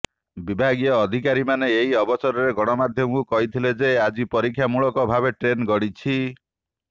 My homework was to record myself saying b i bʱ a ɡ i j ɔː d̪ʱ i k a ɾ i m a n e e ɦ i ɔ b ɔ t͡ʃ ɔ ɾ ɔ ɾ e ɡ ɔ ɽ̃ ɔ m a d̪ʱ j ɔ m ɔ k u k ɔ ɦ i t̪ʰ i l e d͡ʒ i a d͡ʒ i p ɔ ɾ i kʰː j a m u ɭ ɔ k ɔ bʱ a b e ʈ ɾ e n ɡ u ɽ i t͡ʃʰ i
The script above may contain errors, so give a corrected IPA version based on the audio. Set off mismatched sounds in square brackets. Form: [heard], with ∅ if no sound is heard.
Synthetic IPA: b i bʱ a ɡ i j ɔː d̪ʱ i k a ɾ i m a n e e ɦ i ɔ b ɔ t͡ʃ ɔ ɾ ɔ ɾ e ɡ ɔ ɽ̃ ɔ m a d̪ʱ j ɔ m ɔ k u k ɔ ɦ i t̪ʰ i l e d͡ʒ [e] a d͡ʒ i p ɔ ɾ i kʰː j a m u ɭ ɔ k ɔ bʱ a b e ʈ ɾ e n ɡ [ɔ] ɽ i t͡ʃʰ i

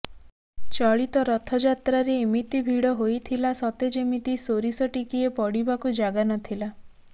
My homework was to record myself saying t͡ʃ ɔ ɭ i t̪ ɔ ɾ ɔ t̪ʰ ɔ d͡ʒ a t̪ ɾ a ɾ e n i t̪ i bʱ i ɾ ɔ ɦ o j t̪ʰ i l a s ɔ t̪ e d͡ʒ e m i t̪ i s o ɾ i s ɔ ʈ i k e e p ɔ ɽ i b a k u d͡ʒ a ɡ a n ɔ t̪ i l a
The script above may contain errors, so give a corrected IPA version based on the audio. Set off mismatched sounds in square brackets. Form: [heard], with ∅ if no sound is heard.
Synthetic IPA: t͡ʃ ɔ ɭ i t̪ ɔ ɾ ɔ t̪ʰ ɔ d͡ʒ a t̪ ɾ a ɾ e [m] i t̪ i bʱ i [ɽ] ɔ ɦ o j t̪ʰ i l a s ɔ t̪ e d͡ʒ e m i t̪ i s o ɾ i s ɔ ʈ i k [i] e p ɔ ɽ i b a k u d͡ʒ a ɡ a n ɔ [t̪ʰ] i l a

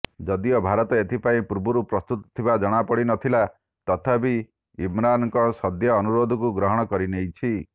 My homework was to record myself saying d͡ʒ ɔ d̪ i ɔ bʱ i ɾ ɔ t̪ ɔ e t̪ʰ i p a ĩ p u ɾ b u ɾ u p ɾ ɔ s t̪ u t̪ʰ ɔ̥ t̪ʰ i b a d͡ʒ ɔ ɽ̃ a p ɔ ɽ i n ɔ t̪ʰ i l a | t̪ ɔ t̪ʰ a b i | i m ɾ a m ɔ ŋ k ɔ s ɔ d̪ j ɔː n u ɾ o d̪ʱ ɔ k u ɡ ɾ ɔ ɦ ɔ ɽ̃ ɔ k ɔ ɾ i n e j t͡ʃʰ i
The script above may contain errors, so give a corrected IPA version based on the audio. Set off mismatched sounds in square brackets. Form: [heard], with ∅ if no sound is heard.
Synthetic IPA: d͡ʒ ɔ d̪ i ɔ bʱ [a] ɾ ɔ t̪ ɔ e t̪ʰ i p a ĩ p u ɾ b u ɾ u p ɾ ɔ s t̪ u [t̪] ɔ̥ t̪ʰ i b a d͡ʒ ɔ ɽ̃ a p ɔ ɽ i n ɔ t̪ʰ i l a | t̪ ɔ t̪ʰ a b i | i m ɾ a [n] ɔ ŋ k ɔ s ɔ d̪ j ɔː n u ɾ o d̪ʱ ɔ k u ɡ ɾ ɔ ɦ ɔ ɽ̃ ɔ k ɔ ɾ i n e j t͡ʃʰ i

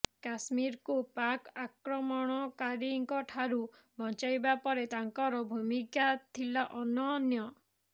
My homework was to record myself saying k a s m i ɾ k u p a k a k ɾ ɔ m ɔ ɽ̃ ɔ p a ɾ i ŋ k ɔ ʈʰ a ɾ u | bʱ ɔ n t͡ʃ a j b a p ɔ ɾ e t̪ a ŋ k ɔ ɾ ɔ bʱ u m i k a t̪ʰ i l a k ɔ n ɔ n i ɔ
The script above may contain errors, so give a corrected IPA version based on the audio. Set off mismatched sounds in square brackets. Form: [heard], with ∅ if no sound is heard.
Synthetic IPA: k a s m i ɾ k u p a k a k ɾ ɔ m ɔ ɽ̃ ɔ [k] a ɾ i ŋ k ɔ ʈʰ a ɾ u | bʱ ɔ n t͡ʃ a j b a p ɔ ɾ e t̪ a ŋ k ɔ ɾ ɔ bʱ u m i k a t̪ʰ i l a [ʔ] ɔ n ɔ n [j] ɔ

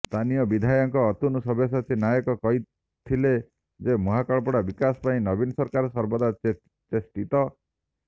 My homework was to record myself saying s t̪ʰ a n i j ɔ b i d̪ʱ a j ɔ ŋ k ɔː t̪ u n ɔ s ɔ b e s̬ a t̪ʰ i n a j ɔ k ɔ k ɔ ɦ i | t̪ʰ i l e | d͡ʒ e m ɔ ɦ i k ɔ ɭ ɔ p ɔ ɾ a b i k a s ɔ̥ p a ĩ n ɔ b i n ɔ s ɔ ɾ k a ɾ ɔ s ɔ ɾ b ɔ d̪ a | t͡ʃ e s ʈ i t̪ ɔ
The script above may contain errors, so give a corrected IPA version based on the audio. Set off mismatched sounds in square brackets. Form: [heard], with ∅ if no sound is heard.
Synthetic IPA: s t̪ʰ a n i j ɔ b i d̪ʱ a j ɔ ŋ k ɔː t̪ u n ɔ s ɔ b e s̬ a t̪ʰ i n a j ɔ k ɔ k ɔ ɦ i | t̪ʰ i l e | d͡ʒ e m ɔ ɦ [a] k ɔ ɭ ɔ p ɔ [ɽ] a b i k a s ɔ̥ p a ĩ n ɔ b i n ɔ s ɔ ɾ k a ɾ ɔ s ɔ ɾ b ɔ d̪ a | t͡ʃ e s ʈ i t̪ ɔ

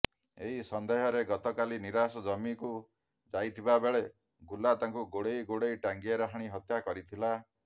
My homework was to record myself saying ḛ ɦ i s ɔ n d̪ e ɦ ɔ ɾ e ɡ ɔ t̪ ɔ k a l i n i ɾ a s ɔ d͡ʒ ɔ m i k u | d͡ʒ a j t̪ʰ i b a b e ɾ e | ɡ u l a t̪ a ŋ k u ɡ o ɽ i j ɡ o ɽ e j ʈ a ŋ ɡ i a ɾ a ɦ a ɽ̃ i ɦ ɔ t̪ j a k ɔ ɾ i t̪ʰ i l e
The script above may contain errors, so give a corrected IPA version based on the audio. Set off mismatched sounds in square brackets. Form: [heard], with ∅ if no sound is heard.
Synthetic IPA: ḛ ɦ i s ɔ n d̪ e ɦ ɔ ɾ e ɡ ɔ t̪ ɔ k a l i n i ɾ a s ɔ d͡ʒ ɔ m i k u | d͡ʒ a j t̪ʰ i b a b e [ɭ] e | ɡ u l a t̪ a ŋ k u ɡ o ɽ [e] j ɡ o ɽ e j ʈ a ŋ ɡ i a ɾ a ɦ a ɽ̃ i ɦ ɔ t̪ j a k ɔ ɾ i t̪ʰ i l [a]

